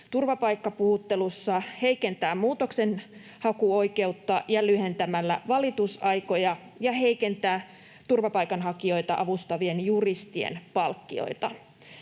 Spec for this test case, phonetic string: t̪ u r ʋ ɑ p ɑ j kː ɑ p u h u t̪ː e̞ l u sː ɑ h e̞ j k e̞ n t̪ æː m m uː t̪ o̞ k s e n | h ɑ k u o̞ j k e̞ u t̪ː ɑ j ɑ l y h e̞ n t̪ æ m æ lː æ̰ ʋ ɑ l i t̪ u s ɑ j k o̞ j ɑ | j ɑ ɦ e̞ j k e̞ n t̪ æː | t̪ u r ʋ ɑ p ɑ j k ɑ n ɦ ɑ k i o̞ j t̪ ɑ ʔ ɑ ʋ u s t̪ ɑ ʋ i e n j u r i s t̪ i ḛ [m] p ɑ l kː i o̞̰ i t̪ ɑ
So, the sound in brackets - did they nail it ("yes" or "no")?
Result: no